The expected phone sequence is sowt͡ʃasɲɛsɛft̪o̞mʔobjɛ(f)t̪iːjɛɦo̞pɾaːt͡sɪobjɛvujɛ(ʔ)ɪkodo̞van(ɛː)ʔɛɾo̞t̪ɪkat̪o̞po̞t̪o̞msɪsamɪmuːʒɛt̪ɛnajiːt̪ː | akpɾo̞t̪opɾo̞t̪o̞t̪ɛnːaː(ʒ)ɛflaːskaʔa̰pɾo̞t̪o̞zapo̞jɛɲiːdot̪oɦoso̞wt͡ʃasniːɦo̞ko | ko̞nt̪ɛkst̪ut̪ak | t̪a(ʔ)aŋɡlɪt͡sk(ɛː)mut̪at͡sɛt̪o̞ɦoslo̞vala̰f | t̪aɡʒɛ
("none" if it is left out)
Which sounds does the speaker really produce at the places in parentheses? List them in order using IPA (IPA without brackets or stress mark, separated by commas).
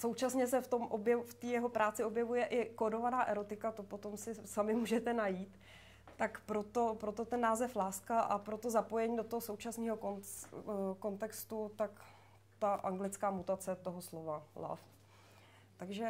f, ʔ, aː, z, ʔ, aː